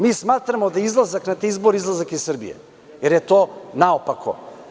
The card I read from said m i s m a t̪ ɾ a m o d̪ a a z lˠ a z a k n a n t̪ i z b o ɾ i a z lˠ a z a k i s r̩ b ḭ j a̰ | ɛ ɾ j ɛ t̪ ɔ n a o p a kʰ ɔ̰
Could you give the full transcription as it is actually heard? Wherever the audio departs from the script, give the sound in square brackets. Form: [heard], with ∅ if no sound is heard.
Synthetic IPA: m i s m a t̪ ɾ a m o d̪ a [i] z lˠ a z a k n a [∅] t̪ i z b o ɾ i [i] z lˠ a z a k i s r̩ b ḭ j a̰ | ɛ ɾ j ɛ t̪ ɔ n a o p a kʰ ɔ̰